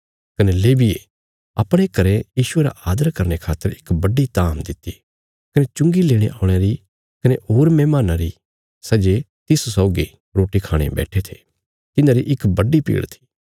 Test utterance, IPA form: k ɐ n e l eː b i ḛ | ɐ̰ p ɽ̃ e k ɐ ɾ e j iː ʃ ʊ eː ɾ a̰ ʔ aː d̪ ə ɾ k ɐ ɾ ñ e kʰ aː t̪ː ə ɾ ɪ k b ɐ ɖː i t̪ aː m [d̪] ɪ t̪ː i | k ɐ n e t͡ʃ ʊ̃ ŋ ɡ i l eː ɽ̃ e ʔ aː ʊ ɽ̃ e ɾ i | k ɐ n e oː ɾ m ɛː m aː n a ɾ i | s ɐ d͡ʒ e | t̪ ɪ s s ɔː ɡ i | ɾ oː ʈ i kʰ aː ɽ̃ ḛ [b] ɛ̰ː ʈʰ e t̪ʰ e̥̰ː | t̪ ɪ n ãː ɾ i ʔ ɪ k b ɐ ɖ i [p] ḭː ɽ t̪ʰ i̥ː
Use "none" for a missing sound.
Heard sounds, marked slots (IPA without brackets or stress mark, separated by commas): d̪, b, p